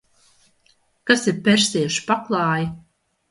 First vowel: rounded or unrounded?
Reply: unrounded